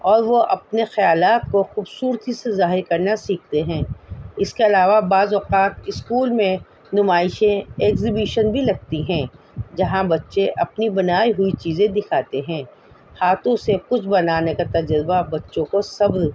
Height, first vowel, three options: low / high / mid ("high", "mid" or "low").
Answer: mid